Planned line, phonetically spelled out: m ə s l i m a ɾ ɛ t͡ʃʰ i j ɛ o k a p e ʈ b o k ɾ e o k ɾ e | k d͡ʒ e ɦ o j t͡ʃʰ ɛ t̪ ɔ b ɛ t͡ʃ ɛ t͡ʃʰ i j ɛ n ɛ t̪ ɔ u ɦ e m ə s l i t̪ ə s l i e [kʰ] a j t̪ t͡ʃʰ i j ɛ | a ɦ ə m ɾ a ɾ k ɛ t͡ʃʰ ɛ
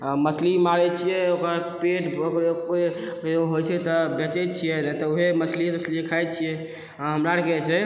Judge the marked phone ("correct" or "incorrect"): correct